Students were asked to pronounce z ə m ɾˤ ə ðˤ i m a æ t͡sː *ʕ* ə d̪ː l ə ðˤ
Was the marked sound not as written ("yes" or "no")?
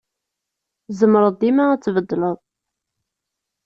yes